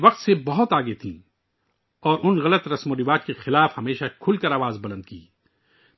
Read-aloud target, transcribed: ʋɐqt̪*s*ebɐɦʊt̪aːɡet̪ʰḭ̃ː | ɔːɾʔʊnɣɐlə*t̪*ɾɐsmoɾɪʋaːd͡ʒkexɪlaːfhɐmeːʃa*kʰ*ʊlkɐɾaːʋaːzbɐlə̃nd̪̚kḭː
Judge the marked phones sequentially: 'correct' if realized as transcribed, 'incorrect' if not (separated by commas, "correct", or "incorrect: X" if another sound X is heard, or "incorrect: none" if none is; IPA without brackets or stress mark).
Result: correct, correct, correct